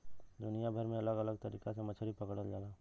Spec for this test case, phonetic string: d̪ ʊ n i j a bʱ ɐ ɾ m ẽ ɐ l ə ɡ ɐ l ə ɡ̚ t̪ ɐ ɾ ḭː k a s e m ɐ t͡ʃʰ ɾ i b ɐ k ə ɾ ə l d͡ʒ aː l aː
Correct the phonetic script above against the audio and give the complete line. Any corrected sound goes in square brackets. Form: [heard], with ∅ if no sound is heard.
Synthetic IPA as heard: d̪ ʊ n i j a bʱ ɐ ɾ m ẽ ɐ l ə ɡ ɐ l ə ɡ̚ t̪ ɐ ɾ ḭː k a s e m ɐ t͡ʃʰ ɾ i [p] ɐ k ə [ɽ] ə l d͡ʒ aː l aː